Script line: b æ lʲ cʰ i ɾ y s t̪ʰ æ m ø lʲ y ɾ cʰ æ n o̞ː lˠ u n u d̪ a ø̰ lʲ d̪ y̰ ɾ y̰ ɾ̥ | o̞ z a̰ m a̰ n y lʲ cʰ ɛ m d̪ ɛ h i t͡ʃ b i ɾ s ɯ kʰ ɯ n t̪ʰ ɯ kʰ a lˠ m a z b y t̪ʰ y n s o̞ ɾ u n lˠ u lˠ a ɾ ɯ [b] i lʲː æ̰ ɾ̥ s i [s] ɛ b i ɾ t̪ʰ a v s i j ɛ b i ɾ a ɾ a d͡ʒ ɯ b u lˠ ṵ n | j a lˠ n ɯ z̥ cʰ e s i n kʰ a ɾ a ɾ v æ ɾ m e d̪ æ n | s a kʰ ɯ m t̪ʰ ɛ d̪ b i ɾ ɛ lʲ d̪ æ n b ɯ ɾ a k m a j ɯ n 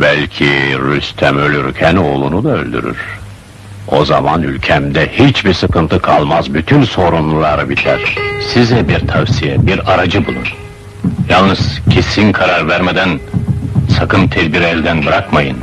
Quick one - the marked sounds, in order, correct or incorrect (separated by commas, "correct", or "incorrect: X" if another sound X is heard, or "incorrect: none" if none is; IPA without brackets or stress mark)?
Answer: correct, incorrect: z